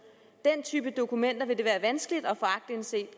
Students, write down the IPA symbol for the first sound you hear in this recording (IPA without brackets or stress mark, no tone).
d̥